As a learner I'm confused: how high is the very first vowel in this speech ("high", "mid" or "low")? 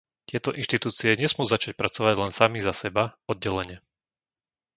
high